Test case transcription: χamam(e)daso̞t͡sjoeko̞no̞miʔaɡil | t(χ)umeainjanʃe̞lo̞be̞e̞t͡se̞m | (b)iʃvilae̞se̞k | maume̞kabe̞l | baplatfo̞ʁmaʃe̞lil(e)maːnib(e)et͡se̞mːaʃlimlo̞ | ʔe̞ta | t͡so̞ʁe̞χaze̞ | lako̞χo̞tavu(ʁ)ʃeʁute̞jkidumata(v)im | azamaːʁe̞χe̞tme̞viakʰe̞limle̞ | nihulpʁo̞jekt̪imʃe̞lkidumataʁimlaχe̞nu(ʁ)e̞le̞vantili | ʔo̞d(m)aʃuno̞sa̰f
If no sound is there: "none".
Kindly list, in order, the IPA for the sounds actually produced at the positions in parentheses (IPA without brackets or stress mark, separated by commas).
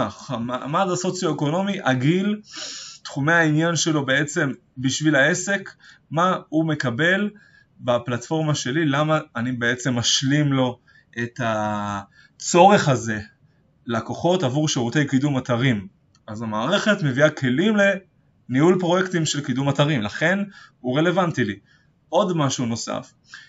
a, χ, b, a, e, ʁ, ʁ, ʁ, m